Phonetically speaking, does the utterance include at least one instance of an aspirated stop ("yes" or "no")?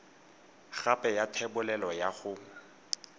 yes